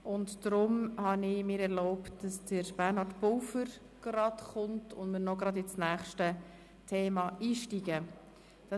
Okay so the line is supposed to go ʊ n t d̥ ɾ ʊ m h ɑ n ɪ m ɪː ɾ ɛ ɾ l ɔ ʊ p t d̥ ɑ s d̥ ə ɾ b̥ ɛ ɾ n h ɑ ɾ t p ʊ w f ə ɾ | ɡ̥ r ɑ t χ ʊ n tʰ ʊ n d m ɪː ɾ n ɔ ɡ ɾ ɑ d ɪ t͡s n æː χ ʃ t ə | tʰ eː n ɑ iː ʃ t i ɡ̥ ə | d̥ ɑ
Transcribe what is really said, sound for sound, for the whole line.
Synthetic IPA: ʊ n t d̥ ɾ ʊ m h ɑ n ɪ m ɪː ɾ ɛ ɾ l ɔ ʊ p t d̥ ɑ s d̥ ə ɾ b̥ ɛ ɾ n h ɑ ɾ t p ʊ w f ə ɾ | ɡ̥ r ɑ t χ ʊ n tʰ ʊ n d m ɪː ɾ n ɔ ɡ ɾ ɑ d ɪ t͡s n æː χ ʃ t ə | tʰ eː m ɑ iː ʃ t i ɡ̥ ə | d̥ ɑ